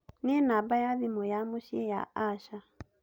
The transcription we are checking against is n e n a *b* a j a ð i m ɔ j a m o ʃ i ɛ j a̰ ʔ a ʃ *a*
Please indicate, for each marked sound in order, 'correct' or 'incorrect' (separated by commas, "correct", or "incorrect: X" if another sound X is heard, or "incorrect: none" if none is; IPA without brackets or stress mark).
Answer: correct, correct